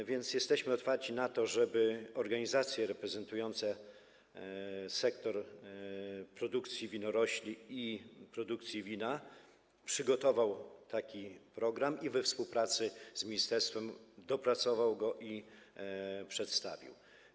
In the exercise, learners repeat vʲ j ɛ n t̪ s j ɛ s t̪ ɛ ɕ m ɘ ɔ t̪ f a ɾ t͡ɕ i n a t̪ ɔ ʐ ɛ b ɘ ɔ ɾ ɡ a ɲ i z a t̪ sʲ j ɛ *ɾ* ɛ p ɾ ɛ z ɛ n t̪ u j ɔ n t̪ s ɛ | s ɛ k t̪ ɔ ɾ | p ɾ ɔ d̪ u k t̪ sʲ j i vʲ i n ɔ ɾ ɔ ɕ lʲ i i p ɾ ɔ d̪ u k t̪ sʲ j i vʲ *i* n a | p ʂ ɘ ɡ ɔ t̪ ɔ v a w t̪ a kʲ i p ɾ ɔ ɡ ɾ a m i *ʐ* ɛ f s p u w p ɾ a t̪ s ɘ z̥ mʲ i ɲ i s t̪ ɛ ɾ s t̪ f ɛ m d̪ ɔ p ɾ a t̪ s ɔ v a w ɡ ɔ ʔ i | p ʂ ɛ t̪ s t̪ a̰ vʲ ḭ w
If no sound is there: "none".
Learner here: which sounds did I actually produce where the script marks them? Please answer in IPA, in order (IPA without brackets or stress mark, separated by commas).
ɾ, i, v